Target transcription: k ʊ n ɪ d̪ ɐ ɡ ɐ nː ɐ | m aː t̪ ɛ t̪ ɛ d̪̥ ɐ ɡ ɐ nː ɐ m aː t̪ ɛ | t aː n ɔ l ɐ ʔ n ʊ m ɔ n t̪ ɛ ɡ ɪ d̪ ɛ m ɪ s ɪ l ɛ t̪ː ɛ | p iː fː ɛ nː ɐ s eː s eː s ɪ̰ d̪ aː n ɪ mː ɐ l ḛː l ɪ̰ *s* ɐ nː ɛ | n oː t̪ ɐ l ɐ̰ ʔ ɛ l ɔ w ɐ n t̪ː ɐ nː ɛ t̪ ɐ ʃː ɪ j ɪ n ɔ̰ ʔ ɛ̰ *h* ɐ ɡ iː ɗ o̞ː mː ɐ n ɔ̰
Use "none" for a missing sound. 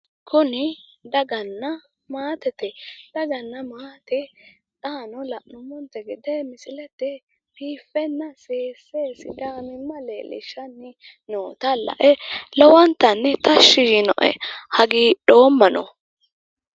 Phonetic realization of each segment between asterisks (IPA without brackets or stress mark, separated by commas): ʃ, h